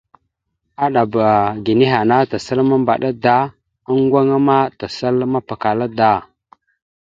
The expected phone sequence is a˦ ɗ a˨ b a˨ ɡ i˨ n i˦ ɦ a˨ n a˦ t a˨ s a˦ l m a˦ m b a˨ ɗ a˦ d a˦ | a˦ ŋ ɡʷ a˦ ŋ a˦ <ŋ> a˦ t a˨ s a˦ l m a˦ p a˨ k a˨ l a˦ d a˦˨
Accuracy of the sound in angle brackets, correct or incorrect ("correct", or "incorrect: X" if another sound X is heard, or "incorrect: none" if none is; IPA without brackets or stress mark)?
incorrect: m